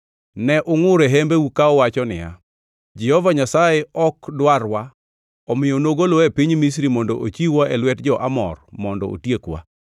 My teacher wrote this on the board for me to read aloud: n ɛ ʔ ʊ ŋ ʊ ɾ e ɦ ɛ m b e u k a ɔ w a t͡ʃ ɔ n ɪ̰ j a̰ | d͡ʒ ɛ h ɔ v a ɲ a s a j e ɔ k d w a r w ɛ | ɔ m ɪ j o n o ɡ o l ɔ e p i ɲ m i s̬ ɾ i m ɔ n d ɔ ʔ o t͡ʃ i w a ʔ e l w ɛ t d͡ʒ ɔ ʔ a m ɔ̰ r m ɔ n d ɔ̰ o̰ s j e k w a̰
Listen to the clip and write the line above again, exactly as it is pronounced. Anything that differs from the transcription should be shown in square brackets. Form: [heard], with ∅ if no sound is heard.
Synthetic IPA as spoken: n ɛ ʔ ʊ ŋ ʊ ɾ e ɦ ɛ m b e u k a ɔ w a t͡ʃ ɔ n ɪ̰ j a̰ | d͡ʒ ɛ h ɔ v a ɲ a s a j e ɔ k d w a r w [a] | ɔ m ɪ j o n o ɡ o l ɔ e p i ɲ m i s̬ ɾ i m ɔ n d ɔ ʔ o t͡ʃ i w a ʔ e l w ɛ t d͡ʒ ɔ ʔ a m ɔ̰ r m ɔ n d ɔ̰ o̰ [t] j e k w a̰